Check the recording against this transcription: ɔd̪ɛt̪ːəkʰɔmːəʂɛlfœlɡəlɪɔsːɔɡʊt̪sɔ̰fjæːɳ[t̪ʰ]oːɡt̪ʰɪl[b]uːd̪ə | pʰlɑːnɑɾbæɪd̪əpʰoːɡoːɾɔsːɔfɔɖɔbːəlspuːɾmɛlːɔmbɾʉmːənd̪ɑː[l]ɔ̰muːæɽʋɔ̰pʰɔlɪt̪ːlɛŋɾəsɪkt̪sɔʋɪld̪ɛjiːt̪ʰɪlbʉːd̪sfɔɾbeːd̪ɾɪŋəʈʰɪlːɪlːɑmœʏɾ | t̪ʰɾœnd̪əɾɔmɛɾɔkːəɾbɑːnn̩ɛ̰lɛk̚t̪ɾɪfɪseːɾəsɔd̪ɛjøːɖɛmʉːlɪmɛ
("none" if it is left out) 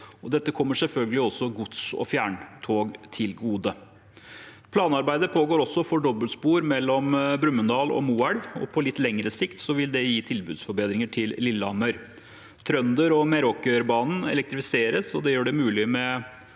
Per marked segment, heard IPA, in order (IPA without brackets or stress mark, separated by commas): t̪ʰ, ɡ, l